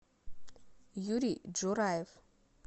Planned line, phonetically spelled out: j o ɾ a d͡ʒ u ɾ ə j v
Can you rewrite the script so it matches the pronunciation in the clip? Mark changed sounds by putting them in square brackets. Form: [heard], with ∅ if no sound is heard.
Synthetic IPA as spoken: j [u] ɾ [i] d͡ʒ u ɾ [a] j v

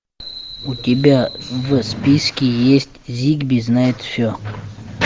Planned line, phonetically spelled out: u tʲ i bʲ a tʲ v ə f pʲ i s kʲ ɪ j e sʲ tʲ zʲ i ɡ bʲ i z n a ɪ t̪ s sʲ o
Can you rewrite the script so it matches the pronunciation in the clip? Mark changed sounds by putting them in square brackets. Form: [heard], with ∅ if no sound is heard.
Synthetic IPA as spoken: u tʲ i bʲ a [∅] v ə [s] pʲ i s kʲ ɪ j e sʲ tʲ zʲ i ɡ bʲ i z n a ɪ t̪ [f] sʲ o

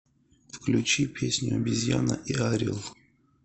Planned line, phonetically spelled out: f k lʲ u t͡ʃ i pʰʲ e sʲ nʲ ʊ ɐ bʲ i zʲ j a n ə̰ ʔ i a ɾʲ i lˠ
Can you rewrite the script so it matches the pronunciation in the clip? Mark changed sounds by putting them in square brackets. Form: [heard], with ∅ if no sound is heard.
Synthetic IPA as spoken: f k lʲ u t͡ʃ i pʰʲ e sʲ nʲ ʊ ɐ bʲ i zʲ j a n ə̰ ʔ i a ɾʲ i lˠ

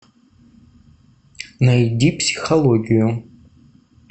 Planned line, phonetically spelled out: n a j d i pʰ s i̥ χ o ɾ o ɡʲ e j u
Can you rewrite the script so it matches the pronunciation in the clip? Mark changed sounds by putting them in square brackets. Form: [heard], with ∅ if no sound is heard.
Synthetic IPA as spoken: n a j d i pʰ s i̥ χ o [l] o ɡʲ [i] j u

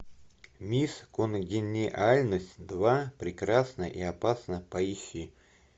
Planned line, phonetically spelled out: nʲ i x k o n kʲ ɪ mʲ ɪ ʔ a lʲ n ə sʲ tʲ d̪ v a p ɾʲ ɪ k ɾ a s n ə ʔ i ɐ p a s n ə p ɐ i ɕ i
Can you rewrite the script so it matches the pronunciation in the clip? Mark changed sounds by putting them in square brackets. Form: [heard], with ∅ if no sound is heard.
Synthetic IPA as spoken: [mʲ] i [s] k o n [ɡʲ] ɪ [nʲ] ɪ ʔ a lʲ n ə sʲ tʲ d̪ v a p ɾʲ ɪ k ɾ a s n ə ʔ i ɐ p a s n ə p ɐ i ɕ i

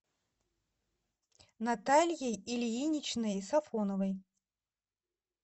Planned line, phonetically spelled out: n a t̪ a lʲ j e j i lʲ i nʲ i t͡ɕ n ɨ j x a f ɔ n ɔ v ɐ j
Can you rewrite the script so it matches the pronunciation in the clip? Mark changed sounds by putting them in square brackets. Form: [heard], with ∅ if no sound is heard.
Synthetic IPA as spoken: n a t̪ a lʲ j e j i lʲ i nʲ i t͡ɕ n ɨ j [s] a f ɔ n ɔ v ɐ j

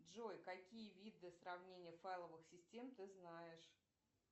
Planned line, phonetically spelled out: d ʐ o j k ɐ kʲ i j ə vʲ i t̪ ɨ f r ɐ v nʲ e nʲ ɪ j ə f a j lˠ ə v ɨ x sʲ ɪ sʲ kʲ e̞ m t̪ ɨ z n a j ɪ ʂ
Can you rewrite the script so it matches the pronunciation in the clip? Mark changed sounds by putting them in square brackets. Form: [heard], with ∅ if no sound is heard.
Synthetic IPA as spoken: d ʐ o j k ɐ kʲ i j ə vʲ i [d̪] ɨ [s] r ɐ v nʲ e nʲ ɪ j ə f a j lˠ ə v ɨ x sʲ ɪ sʲ [tʲ] e̞ m t̪ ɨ z n a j ɪ ʂ

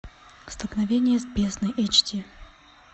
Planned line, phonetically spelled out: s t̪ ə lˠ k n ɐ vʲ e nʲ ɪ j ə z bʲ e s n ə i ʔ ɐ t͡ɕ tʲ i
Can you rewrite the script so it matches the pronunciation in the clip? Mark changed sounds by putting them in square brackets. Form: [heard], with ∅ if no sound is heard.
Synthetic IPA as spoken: s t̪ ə lˠ k n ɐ vʲ e nʲ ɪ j ə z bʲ e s n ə [j] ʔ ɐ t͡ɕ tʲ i

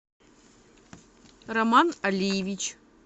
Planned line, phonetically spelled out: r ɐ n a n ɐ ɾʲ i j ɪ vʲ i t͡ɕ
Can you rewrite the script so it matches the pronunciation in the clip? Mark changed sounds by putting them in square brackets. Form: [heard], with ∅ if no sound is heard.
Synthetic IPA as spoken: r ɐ [m] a n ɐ [lʲ] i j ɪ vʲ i t͡ɕ

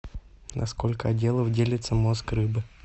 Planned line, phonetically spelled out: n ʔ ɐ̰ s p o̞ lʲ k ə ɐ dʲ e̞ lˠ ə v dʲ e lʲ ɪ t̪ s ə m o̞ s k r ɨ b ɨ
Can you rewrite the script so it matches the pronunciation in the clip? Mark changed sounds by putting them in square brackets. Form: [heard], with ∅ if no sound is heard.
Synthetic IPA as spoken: n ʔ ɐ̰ s [k] o̞ lʲ k ə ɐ dʲ e̞ lˠ ə v dʲ e lʲ ɪ t̪ s ə m o̞ s k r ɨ b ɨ

